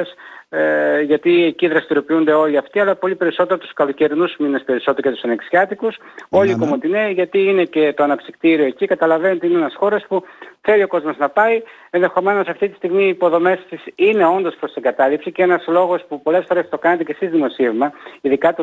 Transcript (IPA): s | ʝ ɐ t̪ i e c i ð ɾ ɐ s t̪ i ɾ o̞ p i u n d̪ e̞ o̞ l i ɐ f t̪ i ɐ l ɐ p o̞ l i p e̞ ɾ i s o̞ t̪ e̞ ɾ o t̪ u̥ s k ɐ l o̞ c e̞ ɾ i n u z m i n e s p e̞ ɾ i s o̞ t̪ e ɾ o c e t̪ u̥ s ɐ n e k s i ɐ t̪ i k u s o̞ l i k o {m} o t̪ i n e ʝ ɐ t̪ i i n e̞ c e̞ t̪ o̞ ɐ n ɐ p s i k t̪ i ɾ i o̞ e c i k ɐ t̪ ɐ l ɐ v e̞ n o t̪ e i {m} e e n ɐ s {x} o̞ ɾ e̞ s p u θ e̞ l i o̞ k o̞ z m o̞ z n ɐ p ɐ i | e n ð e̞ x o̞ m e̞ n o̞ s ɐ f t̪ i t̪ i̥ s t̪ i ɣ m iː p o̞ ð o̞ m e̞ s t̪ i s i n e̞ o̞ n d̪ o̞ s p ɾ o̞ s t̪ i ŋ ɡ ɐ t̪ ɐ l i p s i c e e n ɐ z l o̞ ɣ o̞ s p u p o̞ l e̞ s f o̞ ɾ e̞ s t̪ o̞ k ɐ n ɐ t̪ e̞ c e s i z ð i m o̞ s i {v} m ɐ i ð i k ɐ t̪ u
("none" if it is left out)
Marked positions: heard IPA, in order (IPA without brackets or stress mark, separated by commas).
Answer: m, n, x, v